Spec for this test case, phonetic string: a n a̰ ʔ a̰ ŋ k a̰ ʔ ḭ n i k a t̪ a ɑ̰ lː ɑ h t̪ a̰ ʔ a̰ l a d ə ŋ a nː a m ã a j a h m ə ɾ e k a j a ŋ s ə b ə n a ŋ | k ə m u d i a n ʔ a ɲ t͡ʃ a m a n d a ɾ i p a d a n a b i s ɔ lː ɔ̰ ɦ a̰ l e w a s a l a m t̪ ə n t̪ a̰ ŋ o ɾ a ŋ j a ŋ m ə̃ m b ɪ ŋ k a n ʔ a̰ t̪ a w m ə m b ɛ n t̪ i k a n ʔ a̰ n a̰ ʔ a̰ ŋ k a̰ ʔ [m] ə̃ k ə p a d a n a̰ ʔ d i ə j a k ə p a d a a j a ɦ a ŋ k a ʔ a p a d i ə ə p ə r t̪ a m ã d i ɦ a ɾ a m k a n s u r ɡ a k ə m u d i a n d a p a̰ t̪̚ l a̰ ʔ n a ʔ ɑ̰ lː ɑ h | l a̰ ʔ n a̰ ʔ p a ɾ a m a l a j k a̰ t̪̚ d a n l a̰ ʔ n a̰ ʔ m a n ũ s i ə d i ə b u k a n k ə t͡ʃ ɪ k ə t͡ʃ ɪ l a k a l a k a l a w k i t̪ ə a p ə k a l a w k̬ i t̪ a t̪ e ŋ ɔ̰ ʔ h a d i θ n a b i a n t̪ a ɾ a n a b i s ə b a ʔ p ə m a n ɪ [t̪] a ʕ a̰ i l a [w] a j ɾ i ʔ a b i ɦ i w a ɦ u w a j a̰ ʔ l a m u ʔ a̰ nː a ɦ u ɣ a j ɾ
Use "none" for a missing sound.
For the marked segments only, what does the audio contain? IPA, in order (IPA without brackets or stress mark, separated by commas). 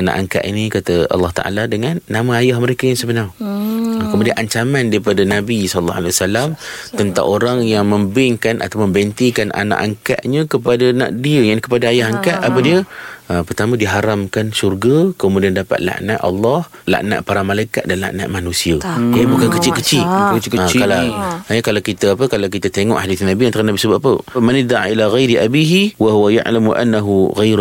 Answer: ɲ, d̪, ɣ